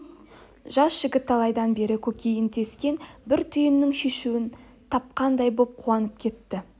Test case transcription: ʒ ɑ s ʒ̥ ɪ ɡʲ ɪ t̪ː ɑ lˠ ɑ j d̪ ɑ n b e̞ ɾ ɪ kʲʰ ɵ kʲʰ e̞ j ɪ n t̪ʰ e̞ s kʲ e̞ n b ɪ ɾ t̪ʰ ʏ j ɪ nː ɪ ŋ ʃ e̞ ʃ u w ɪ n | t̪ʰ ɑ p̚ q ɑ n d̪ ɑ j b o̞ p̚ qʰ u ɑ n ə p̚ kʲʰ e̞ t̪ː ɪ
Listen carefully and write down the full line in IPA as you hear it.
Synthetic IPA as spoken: ʒ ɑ s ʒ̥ ɪ ɡʲ ɪ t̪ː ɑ lˠ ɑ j d̪ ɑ n b e̞ ɾ ɪ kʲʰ ɵ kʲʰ e̞ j ɪ n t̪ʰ e̞ s kʲ e̞ n b ɪ ɾ t̪ʰ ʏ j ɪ nː ɪ ŋ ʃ e̞ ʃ u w ɪ n | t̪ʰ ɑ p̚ q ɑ n d̪ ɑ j b o̞ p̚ qʰ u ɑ n ə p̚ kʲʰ e̞ t̪ː ɪ